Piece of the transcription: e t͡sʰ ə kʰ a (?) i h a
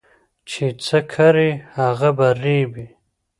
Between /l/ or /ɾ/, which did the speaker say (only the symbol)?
ɾ